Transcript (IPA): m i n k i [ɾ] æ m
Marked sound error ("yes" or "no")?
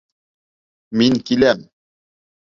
yes